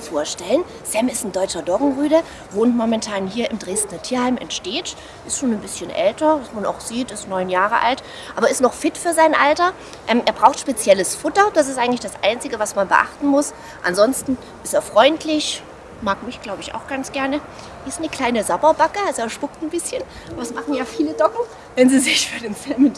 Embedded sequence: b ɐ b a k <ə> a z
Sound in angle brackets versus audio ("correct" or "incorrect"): correct